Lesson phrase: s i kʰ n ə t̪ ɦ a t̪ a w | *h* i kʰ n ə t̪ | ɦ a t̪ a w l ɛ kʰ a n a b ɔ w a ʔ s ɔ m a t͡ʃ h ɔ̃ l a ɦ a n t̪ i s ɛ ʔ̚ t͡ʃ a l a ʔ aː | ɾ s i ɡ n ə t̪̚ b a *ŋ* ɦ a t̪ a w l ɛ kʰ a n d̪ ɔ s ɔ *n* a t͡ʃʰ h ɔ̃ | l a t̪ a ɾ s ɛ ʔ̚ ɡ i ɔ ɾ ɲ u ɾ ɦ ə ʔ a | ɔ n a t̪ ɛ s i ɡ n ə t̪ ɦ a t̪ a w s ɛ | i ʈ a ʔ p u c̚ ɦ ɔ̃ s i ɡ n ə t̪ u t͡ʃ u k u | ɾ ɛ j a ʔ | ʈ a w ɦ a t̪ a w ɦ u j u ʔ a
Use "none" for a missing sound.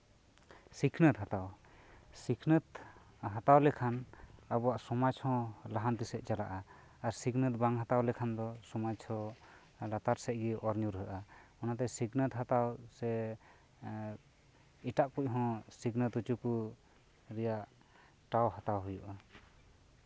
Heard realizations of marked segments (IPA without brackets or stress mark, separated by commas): s, ŋ, m